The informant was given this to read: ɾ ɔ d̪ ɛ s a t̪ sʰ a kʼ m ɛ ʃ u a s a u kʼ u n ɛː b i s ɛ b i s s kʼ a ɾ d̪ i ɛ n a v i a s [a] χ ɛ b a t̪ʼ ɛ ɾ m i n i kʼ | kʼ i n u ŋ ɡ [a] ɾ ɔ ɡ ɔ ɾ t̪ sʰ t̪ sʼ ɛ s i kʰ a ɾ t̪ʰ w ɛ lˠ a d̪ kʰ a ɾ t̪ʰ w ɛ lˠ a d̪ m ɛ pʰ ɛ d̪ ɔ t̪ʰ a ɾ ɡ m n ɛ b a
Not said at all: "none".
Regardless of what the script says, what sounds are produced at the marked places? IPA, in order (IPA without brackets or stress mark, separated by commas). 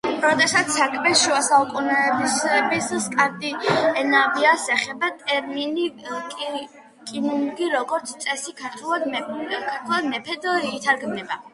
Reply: ɛ, i